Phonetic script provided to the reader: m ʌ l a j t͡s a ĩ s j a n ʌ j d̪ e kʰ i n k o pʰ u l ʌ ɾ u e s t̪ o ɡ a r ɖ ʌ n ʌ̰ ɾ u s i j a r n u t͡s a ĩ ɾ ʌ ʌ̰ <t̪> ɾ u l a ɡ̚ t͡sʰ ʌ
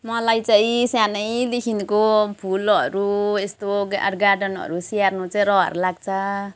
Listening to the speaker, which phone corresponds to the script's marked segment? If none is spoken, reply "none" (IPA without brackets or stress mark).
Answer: none